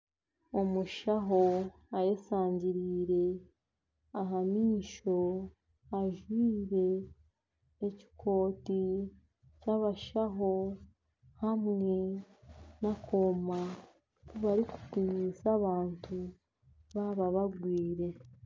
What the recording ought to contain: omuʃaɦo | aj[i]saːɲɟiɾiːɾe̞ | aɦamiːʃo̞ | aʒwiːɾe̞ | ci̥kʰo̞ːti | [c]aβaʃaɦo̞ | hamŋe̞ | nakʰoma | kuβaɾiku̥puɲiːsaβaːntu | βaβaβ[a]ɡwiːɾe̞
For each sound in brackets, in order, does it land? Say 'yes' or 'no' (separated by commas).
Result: no, yes, yes